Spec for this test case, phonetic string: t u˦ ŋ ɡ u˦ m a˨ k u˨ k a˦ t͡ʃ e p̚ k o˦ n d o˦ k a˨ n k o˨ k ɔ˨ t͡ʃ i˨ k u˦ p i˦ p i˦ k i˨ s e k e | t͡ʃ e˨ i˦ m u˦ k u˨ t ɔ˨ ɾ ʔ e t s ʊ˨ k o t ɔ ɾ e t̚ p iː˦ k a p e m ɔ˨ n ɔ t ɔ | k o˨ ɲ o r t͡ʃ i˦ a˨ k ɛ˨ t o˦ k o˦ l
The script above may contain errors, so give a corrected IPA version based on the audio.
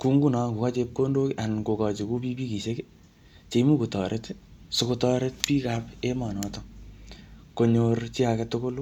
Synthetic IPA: k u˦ ŋ ɡ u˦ n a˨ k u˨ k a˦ t͡ʃ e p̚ k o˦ n d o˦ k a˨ n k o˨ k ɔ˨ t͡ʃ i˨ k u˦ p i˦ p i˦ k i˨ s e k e | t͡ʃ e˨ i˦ m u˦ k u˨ t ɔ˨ ɾ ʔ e t s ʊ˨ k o t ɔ ɾ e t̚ p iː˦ k a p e m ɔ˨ n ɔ t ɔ | k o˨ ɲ o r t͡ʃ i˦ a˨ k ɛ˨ t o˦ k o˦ l